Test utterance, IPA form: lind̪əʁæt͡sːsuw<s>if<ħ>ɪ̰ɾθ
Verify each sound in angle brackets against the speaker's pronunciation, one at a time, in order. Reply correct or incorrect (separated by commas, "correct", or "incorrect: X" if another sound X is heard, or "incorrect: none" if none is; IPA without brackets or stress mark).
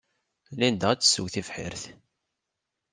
incorrect: θ, correct